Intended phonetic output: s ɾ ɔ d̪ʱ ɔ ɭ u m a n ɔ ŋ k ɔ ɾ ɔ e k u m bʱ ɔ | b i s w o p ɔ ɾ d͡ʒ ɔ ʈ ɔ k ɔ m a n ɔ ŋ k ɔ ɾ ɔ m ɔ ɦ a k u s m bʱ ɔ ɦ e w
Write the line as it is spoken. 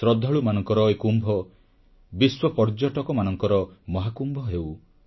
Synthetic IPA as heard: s ɾ ɔ d̪ʱ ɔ ɭ u m a n ɔ ŋ k ɔ ɾ ɔ e k u m bʱ ɔ | b i s w ɔ p ɔ ɾ d͡ʒ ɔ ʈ ɔ k ɔ m a n ɔ ŋ k ɔ ɾ ɔ m ɔ ɦ a k u m bʱ ɔ ɦ e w

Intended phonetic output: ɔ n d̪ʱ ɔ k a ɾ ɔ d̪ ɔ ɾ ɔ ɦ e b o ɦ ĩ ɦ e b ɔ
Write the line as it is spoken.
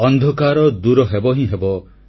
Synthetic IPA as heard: ɔ n d̪ʱ ɔ k a ɾ ɔ d̪ u ɾ ɔ ɦ e b ɔ ɦ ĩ ɦ e b ɔ

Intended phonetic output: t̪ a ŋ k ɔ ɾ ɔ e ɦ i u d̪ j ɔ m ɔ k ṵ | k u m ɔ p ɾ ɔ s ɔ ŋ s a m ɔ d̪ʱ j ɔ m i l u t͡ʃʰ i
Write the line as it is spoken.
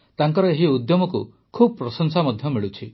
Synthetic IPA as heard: t̪ a ŋ k ɔ ɾ ɔ e ɦ i u d̪ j ɔ m ɔ k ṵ | kʰ u b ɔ p ɾ ɔ s ɔ ŋ s a m ɔ d̪ʱ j ɔ m i ɭ u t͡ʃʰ i

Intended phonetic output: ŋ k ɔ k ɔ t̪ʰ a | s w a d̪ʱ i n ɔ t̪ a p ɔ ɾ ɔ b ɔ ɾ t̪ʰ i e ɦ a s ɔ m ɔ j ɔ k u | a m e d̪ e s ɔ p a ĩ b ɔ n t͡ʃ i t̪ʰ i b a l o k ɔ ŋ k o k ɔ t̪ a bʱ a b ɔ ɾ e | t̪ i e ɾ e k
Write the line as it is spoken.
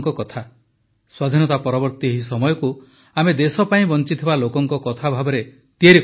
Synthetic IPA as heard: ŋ k ɔ k ɔ t̪ʰ a | s w a d̪ʱ i n ɔ t̪ a p ɔ ɾ ɔ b ɔ ɾ t̪ i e ɦ i s ɔ m ɔ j ɔ k u | a m e d̪ e s ɔ p a ĩ b ɔ n t͡ʃ i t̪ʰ i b a l o k ɔ ŋ k ɔ k ɔ t̪ʰ a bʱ a b ɔ ɾ e | t̪ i e ɾ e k

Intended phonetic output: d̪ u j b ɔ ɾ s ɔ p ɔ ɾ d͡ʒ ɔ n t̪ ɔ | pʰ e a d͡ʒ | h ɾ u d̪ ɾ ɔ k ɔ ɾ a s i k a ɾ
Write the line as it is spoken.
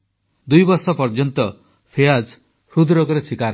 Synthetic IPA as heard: d̪ u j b ɔ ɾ s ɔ p ɔ ɾ d͡ʒ ɔ n t̪ ɔ | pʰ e a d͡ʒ | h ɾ u d̪ ɾ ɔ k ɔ ɾ e s i k a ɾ

